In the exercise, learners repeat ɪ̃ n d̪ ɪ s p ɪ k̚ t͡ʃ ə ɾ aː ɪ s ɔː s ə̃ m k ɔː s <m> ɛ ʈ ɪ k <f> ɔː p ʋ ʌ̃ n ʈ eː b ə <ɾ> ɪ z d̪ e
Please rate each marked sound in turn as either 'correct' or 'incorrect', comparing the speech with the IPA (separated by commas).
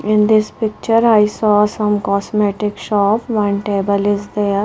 correct, incorrect, incorrect